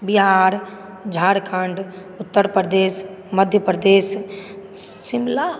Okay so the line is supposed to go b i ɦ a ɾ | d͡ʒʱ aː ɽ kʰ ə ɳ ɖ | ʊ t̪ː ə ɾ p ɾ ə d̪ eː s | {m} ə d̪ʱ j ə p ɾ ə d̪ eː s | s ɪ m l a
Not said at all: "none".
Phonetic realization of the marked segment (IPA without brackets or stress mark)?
m